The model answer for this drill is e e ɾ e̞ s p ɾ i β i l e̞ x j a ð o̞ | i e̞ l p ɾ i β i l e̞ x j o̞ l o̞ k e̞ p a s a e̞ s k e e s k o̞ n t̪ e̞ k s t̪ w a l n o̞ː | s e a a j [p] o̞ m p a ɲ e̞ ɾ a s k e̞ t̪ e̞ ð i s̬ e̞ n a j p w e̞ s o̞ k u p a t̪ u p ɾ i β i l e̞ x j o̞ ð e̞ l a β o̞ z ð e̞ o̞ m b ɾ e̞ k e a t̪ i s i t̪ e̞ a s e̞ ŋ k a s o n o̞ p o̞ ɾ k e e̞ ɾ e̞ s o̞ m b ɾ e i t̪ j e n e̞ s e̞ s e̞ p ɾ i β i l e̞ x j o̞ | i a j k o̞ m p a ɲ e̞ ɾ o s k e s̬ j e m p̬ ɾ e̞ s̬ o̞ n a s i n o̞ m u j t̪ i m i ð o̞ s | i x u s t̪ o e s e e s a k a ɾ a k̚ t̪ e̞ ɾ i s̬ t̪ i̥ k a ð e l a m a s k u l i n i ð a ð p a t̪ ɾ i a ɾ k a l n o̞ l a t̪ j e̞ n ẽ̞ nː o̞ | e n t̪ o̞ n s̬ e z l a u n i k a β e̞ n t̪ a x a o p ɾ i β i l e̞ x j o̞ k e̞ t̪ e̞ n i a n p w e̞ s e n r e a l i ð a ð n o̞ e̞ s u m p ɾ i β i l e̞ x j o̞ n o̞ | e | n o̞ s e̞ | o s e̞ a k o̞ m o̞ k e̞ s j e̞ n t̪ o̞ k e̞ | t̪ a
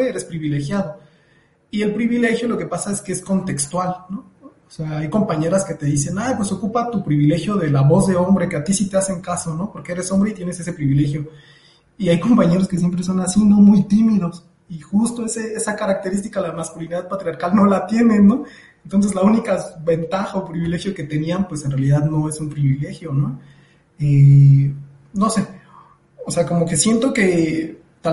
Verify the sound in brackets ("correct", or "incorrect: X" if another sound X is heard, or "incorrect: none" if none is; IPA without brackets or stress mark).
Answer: incorrect: k